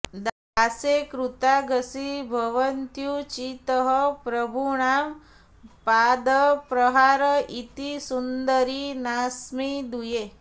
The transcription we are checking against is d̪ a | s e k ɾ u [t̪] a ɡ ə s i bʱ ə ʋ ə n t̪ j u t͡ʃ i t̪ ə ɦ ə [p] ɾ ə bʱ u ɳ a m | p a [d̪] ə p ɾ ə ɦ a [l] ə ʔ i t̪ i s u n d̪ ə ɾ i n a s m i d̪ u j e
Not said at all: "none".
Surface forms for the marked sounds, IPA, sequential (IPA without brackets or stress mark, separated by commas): t̪, p, d̪, ɾ